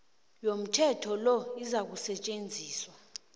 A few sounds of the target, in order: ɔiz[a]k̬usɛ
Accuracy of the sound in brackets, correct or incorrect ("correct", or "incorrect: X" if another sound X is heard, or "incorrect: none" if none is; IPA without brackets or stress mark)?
correct